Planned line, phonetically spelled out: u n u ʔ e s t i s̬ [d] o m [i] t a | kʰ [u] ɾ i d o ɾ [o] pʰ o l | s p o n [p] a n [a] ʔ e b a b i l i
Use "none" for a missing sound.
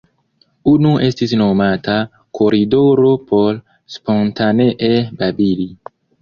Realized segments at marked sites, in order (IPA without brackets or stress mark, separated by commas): n, a, o, o, t, e